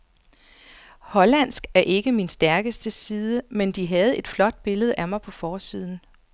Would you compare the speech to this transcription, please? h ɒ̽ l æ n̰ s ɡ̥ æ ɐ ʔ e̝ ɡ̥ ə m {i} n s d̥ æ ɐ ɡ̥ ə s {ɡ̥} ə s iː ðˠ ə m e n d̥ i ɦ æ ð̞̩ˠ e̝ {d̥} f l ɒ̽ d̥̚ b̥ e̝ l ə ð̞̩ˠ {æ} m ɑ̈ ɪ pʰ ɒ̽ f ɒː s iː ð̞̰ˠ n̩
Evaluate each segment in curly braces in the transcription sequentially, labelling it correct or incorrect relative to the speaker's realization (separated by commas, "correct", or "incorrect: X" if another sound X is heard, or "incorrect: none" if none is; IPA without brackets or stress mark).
correct, incorrect: d̥, correct, correct